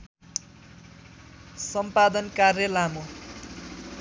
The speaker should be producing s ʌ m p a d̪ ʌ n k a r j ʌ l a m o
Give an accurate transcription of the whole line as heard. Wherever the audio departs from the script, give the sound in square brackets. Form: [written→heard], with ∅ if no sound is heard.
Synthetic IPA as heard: s ʌ m p a d̪ ʌ n k a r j ʌ l a m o